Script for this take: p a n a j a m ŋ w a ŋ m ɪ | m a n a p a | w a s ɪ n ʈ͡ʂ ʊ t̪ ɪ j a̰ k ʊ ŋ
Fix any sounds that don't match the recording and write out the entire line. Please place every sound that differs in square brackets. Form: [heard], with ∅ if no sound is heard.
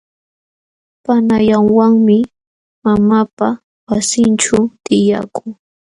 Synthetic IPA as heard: p a n a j a [∅] ŋ w a ŋ m ɪ | m a [m] a p a | w a s ɪ n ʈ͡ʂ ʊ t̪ ɪ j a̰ k ʊ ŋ